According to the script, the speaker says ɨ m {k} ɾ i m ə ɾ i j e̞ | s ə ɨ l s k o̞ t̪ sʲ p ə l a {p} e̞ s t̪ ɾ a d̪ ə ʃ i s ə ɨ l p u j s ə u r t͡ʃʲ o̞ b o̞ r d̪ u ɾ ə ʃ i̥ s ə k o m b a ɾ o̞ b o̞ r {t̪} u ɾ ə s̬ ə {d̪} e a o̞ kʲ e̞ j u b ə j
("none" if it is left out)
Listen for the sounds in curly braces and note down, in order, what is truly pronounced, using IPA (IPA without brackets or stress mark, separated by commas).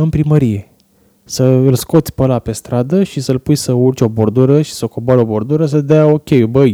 p, p, d̪, d̪